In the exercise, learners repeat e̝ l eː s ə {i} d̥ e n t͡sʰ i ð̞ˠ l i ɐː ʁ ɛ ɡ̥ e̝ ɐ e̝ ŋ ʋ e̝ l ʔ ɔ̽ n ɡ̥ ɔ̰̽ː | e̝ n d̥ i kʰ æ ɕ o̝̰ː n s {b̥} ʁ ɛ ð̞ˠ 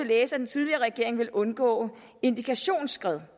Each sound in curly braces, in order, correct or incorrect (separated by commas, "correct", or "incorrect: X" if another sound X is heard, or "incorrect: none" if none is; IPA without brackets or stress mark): incorrect: æ, incorrect: ɡ̥